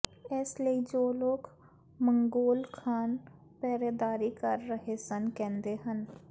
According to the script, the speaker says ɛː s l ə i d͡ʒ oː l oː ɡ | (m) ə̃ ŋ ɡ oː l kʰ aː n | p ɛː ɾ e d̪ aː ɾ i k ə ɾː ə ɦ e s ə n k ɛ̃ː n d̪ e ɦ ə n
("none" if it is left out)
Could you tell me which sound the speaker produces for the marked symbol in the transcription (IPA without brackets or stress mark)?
m